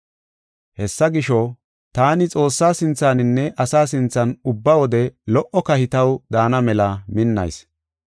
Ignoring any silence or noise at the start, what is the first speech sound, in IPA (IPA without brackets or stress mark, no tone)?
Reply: h